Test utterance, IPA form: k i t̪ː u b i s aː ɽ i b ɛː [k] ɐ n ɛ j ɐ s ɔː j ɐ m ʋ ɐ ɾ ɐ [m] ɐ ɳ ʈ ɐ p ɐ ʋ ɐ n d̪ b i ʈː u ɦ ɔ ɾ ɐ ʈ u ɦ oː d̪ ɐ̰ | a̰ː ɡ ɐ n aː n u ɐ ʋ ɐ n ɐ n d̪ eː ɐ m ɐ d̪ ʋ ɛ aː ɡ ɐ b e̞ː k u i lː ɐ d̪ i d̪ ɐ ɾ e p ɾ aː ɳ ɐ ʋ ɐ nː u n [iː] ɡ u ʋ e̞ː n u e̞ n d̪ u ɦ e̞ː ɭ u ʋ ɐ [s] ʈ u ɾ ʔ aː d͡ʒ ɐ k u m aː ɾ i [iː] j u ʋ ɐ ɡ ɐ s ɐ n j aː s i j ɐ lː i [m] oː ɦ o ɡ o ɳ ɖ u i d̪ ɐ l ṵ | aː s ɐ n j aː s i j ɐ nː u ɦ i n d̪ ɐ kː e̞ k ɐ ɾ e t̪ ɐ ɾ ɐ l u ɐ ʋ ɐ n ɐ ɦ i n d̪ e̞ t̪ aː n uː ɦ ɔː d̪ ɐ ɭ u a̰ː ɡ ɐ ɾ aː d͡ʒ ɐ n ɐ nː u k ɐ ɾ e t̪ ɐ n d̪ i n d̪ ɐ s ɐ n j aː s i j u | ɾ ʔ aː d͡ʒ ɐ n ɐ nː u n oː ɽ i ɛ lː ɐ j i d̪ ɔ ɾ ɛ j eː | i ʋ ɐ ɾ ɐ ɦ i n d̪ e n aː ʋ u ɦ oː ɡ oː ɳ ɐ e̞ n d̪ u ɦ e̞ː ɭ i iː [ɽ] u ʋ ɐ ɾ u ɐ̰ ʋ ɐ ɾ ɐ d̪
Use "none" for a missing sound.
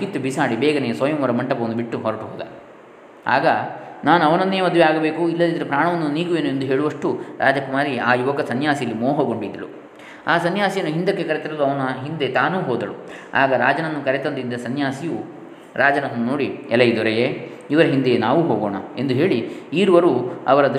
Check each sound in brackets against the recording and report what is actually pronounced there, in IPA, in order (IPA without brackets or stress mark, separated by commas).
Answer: ɡ, m, iː, ʂ, aː, m, ɾ